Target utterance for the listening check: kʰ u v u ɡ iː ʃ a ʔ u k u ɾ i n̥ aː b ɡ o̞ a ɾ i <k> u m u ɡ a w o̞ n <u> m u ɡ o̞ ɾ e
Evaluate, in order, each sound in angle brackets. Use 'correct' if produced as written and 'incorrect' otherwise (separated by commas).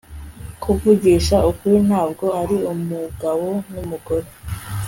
incorrect, correct